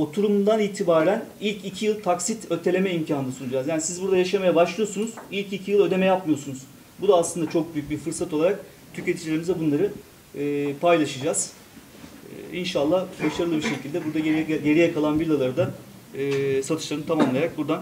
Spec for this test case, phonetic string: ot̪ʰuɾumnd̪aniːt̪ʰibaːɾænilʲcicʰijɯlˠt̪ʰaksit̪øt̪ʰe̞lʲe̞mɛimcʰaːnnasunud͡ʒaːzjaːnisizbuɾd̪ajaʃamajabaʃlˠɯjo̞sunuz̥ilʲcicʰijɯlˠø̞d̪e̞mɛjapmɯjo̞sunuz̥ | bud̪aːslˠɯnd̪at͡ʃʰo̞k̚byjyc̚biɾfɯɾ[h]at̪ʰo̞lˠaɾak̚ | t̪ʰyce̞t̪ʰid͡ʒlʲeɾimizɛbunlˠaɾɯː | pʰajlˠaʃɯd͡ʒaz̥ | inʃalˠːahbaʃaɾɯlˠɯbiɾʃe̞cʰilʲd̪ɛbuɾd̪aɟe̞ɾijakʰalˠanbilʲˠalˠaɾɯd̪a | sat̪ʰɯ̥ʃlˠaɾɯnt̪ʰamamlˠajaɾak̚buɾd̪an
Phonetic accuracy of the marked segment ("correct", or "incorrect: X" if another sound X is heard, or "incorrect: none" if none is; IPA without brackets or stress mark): incorrect: s